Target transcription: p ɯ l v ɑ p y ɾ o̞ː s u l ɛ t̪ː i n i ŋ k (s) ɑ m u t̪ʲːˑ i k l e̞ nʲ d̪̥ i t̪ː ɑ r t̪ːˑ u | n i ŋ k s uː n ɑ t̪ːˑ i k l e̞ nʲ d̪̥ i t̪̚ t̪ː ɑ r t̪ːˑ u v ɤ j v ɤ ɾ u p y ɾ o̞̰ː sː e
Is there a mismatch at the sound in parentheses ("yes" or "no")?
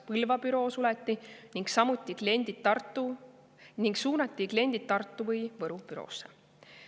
no